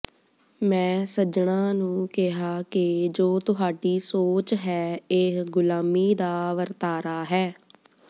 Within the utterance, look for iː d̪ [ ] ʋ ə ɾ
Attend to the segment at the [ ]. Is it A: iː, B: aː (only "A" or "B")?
B